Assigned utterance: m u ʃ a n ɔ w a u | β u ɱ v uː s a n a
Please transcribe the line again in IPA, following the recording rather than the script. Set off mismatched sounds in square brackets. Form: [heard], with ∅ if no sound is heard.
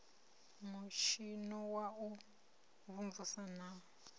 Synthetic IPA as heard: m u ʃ [i] n ɔ w a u | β u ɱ v [u] s a n a